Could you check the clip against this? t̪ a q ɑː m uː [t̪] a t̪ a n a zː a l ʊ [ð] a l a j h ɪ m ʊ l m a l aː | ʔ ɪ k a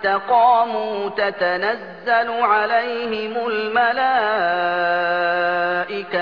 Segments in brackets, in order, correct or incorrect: correct, incorrect: ʕ

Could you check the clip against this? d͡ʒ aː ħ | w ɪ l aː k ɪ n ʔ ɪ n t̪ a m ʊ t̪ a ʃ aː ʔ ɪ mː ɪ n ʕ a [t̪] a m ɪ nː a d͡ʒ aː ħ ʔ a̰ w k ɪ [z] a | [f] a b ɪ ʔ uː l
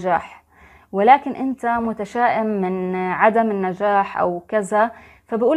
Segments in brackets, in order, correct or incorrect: incorrect: d̪, correct, correct

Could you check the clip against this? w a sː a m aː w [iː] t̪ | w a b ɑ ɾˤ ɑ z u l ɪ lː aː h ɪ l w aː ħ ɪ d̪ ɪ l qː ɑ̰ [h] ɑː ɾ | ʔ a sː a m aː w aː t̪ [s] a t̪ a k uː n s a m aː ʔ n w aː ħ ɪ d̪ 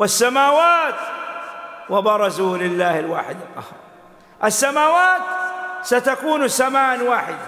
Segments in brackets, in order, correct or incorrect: incorrect: aː, correct, correct

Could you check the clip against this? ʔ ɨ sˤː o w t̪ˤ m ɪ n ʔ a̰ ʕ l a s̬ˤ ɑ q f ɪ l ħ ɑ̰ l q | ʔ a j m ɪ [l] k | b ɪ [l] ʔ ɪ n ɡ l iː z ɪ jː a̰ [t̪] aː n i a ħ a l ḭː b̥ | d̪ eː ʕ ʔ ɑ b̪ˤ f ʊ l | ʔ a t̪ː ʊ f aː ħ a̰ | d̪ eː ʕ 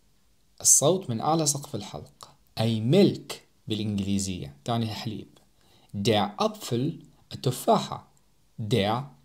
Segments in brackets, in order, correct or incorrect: correct, correct, correct

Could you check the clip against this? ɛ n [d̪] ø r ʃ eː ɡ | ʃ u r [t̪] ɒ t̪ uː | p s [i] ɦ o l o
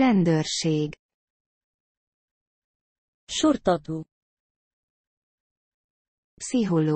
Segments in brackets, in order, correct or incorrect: correct, correct, correct

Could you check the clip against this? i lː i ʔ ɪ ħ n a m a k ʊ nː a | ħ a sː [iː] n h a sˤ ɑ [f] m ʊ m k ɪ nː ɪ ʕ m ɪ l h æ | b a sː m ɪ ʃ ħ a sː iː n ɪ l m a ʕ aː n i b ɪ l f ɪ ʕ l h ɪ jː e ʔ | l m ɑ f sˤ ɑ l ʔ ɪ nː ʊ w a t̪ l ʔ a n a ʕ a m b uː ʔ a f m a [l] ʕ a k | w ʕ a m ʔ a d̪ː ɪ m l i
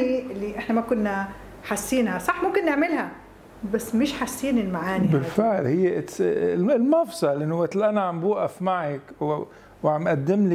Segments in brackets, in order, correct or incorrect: correct, incorrect: ħ, incorrect: none

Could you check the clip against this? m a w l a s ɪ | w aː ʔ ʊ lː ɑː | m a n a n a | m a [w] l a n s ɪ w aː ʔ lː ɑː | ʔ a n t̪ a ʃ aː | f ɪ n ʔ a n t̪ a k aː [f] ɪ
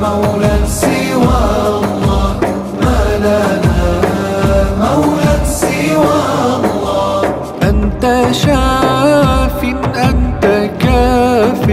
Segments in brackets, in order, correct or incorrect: correct, correct

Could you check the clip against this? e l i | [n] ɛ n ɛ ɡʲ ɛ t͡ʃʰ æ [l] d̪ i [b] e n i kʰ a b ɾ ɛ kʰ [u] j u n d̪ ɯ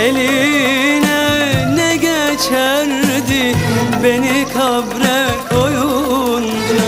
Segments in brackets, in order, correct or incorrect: correct, incorrect: ɾ, correct, incorrect: o

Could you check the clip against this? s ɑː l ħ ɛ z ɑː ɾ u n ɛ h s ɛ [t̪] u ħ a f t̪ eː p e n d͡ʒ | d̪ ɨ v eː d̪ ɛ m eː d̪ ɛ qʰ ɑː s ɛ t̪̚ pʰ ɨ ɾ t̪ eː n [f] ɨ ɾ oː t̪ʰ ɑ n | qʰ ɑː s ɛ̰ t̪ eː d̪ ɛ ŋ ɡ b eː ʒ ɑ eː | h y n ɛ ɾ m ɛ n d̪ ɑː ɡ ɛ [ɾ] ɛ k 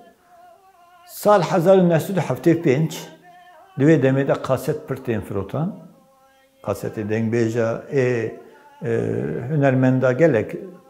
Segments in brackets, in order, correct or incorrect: incorrect: d̪, correct, incorrect: l

